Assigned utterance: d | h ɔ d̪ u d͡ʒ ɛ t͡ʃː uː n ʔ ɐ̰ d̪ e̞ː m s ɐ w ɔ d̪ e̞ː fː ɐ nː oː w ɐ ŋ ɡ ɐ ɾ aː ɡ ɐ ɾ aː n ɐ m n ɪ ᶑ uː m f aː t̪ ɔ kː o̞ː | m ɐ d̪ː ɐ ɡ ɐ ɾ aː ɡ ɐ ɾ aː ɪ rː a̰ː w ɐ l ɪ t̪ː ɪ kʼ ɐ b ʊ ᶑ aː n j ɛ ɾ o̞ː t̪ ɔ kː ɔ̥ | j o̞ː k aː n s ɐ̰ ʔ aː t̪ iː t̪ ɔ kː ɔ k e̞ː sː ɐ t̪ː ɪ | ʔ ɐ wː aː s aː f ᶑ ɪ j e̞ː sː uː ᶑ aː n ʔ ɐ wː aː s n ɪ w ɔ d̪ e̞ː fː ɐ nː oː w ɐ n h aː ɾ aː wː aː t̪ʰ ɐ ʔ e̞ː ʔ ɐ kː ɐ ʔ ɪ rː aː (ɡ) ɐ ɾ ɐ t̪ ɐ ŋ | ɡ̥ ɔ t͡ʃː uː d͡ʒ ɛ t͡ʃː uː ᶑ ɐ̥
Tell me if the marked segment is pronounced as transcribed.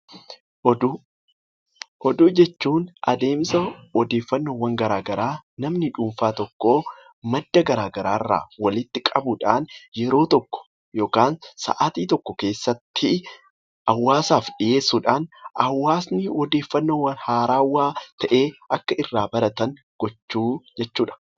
no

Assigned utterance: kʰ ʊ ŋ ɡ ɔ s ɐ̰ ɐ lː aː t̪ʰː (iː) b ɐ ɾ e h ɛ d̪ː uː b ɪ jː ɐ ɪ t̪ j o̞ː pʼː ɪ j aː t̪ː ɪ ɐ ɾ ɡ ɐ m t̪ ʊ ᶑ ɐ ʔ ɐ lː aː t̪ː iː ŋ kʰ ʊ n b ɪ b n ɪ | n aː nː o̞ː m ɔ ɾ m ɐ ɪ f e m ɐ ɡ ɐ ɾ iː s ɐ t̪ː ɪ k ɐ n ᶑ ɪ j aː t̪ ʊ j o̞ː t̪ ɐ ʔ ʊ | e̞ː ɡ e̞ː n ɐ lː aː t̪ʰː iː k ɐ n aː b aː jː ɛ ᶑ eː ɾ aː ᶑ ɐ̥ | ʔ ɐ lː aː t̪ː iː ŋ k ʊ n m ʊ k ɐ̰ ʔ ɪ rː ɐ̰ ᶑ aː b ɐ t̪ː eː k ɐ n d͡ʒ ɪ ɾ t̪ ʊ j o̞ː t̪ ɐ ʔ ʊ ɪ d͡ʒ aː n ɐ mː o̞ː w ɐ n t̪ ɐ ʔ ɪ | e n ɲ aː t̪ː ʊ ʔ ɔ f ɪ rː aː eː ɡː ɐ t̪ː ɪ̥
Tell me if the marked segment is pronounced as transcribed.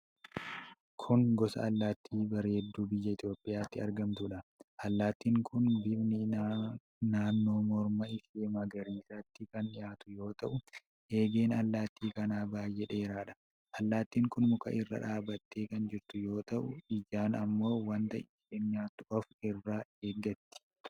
yes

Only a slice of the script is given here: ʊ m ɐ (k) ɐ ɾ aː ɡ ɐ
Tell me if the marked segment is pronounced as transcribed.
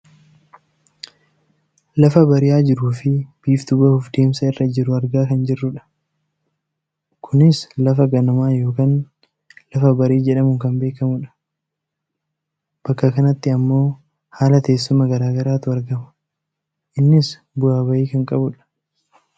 no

